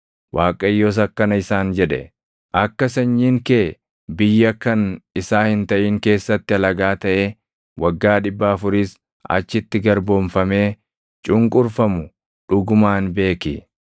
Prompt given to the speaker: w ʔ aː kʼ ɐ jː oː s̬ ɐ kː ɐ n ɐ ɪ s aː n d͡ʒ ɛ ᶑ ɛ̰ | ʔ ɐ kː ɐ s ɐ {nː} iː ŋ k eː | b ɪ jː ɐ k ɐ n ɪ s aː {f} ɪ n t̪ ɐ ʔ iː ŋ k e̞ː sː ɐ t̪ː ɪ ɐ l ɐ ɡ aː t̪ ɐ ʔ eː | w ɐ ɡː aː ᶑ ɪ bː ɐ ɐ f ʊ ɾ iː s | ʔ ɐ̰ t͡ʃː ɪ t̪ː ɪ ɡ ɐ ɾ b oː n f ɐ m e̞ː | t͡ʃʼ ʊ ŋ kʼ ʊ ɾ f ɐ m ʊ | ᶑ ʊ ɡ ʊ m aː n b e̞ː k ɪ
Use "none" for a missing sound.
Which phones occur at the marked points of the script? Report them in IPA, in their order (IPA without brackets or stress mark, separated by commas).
ɲː, h